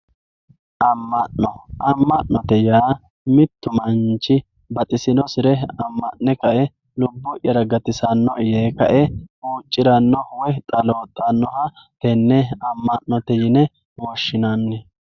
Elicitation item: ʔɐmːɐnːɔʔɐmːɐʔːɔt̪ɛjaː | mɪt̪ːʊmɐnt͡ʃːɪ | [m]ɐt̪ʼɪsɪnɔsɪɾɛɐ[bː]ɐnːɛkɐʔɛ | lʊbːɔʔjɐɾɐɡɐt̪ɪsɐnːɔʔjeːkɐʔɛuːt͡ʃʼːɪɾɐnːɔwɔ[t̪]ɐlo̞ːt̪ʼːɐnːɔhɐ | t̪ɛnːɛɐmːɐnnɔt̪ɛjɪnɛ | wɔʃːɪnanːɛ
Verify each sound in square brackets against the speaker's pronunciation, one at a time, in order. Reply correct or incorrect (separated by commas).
incorrect, incorrect, incorrect